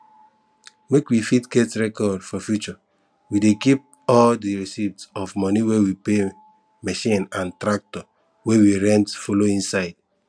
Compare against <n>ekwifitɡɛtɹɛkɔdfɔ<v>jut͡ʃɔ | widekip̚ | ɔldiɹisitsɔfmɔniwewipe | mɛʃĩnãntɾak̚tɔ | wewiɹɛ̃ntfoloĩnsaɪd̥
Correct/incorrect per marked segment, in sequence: incorrect, incorrect

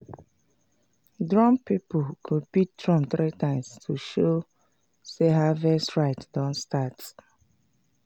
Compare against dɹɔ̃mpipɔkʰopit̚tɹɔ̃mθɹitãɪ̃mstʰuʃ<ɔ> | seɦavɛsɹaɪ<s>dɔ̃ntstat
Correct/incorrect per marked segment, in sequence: incorrect, incorrect

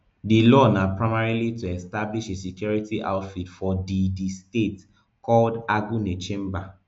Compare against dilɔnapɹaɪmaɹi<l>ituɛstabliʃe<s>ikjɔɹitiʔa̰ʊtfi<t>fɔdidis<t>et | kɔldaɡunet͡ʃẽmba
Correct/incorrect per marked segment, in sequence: correct, correct, correct, correct

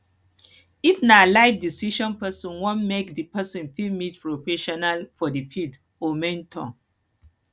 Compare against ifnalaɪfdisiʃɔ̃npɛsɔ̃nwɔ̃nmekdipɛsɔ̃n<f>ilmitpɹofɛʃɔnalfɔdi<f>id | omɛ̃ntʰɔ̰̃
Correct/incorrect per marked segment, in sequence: correct, correct

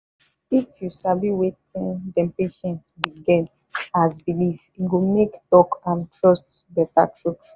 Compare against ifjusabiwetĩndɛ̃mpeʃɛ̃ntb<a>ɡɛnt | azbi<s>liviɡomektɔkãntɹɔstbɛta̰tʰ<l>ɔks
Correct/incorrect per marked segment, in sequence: incorrect, incorrect, incorrect

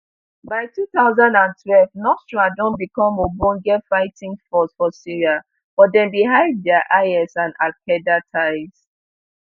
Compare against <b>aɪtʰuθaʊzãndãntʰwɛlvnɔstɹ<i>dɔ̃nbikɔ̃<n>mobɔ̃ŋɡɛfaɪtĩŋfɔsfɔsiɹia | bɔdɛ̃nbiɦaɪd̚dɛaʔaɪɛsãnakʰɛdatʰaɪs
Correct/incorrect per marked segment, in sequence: correct, incorrect, incorrect

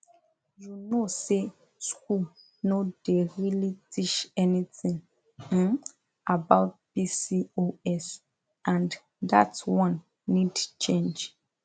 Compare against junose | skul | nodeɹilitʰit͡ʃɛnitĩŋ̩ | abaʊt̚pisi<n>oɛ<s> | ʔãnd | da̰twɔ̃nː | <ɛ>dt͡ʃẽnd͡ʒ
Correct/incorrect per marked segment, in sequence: incorrect, correct, incorrect

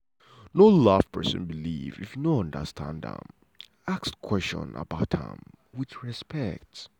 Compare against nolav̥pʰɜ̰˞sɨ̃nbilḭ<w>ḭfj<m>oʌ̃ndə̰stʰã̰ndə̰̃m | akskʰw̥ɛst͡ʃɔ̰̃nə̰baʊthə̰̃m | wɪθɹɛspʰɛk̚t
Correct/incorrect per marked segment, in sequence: incorrect, incorrect

